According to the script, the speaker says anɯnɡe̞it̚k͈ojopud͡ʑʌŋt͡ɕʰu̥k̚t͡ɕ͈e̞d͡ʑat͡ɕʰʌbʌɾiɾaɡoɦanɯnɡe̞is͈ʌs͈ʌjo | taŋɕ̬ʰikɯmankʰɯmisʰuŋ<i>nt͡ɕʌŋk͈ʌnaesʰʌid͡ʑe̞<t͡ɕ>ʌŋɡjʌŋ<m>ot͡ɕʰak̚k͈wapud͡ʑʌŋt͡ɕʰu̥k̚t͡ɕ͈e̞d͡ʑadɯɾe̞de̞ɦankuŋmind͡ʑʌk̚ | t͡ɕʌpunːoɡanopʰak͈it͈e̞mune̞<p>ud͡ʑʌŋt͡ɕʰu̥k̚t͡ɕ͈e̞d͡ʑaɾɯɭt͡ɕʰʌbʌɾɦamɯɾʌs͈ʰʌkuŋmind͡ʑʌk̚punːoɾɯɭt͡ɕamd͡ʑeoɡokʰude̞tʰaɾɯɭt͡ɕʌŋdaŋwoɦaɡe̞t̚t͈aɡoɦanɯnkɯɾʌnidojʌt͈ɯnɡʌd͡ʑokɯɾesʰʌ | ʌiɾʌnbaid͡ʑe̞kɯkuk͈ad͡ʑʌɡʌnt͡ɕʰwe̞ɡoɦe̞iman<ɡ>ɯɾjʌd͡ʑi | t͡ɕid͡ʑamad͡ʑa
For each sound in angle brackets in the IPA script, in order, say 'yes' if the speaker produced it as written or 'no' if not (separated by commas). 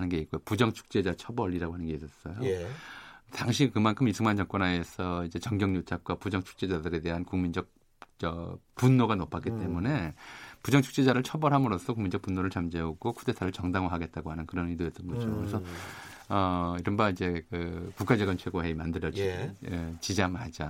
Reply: no, yes, no, yes, no